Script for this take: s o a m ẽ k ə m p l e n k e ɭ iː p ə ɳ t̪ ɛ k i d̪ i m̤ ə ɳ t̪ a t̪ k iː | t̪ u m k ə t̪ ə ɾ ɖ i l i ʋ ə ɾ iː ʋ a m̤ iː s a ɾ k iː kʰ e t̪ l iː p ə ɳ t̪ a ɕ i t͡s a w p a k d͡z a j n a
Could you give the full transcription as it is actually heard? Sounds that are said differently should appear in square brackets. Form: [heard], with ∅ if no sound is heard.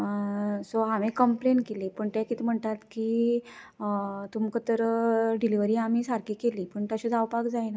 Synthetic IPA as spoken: s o a m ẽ k ə m p l e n k e [l] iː p ə ɳ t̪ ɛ k i [t̪] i m̤ ə ɳ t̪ a t̪ k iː | t̪ u m k ə t̪ ə ɾ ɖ i l i ʋ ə ɾ iː [∅] a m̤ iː s a ɾ k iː [k] e [∅] l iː p ə ɳ t̪ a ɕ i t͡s a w p a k d͡z a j n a